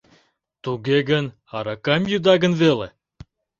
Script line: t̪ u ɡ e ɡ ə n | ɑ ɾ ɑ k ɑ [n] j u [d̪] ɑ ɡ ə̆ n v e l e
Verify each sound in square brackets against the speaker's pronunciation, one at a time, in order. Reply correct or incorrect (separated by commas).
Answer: incorrect, correct